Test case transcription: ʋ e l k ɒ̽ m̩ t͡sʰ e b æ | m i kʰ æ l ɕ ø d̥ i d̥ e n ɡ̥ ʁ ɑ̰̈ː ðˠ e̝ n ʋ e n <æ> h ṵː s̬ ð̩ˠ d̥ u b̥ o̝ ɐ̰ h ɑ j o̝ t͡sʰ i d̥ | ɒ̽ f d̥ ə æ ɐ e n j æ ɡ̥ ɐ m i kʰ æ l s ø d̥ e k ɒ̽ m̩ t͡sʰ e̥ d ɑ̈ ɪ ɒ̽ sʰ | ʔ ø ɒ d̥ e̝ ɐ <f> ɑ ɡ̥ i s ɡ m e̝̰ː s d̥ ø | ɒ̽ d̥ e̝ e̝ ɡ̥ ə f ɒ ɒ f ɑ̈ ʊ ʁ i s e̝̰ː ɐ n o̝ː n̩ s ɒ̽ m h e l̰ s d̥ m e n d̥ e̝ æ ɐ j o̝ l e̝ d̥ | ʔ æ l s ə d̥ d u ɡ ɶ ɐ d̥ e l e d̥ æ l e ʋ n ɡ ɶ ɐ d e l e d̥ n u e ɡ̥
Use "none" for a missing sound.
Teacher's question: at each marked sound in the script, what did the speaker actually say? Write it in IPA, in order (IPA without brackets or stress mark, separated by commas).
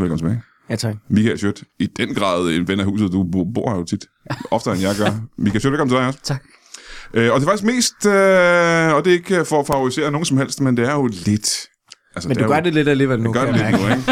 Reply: æ, f